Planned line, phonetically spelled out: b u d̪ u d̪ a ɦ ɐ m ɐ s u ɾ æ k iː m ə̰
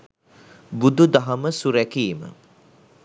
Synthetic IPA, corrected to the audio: b u d̪ u d̪ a ɦ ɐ m ə s u ɾ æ k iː m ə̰